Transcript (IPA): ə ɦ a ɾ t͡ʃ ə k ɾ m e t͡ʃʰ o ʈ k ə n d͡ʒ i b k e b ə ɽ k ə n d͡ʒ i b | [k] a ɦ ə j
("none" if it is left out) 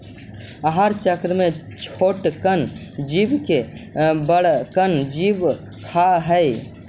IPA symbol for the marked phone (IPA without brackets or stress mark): kʰ